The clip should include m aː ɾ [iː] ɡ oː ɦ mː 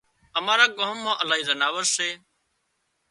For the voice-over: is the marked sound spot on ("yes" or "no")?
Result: no